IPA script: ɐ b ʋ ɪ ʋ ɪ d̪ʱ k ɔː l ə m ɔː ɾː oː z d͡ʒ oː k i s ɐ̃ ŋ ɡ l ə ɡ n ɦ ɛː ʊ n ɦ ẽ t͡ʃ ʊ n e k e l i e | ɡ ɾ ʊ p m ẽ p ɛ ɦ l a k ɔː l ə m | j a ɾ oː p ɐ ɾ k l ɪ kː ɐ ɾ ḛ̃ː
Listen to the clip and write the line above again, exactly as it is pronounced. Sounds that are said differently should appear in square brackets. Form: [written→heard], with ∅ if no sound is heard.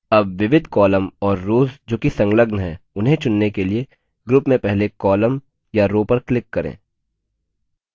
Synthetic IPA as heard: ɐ b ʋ ɪ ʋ ɪ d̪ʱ k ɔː l ə m ɔː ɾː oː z d͡ʒ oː k i s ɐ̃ ŋ ɡ l ə ɡ n ɦ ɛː ʊ n ɦ ẽ t͡ʃ ʊ [n→nː] e k e l i e | ɡ ɾ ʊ p m ẽ p ɛ ɦ l [a→e] k ɔː l ə m | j a ɾ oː p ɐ ɾ k l ɪ kː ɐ ɾ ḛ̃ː